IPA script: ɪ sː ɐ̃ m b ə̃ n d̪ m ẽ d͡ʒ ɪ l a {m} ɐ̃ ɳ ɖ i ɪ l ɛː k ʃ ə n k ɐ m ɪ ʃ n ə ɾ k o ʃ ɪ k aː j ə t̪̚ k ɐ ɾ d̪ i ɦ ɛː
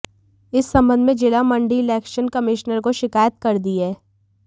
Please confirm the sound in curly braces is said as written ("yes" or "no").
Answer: yes